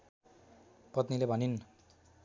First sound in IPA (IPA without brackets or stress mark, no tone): p